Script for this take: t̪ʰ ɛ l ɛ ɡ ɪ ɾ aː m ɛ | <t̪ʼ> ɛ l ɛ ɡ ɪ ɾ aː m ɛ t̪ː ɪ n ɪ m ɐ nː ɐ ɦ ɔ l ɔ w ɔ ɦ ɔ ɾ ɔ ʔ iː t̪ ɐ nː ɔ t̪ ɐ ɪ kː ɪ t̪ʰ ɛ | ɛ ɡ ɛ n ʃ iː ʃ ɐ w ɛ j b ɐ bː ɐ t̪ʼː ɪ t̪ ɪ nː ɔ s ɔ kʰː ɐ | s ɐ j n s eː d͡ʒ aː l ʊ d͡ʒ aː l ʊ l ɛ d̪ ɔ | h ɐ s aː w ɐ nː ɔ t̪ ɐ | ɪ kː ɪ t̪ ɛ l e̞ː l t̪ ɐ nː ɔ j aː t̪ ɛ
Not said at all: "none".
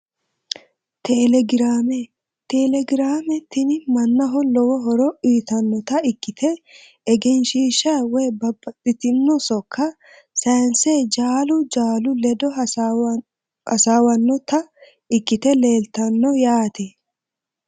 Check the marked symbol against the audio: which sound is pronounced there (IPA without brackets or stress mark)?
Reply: t̪